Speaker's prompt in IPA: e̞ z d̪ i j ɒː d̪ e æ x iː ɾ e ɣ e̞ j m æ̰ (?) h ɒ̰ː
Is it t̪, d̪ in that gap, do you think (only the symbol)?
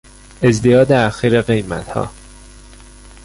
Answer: t̪